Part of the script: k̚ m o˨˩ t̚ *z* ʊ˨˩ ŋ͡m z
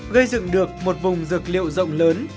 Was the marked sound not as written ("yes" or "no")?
yes